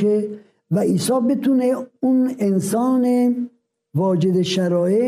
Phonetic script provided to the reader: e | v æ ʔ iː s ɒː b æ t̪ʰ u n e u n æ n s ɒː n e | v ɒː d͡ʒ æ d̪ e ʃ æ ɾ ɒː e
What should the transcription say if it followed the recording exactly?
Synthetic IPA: e | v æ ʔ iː s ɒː b e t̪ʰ u n e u n e n s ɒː n e | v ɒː d͡ʒ e d̪ e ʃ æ ɾ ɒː e